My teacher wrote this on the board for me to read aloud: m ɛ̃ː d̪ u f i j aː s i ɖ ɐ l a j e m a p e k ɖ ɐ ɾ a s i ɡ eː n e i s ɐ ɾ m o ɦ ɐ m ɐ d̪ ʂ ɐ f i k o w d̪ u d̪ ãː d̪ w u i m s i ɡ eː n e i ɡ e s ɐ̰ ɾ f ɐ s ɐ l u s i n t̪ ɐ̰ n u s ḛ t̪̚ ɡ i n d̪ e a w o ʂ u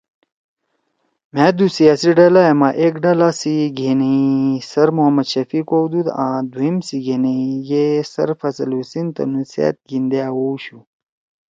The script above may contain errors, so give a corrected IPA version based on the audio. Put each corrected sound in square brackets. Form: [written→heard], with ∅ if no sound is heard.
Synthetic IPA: m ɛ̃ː d̪ u [f→s] i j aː s i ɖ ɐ l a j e m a [p→ʔ] e k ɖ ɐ [ɾ→l] a s i ɡ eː n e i s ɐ ɾ m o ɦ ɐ m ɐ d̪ [ʂ→ɕ] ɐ f i k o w d̪ u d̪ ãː d̪ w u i m s i ɡ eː n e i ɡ e s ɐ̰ ɾ f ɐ s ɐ l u s i n t̪ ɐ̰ n u s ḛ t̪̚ ɡ i n d̪ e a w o [ʂ→ɕ] u